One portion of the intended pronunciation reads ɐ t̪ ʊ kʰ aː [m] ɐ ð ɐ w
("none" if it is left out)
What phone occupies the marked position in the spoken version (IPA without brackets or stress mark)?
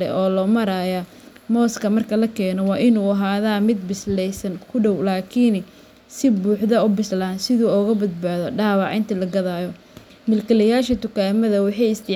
m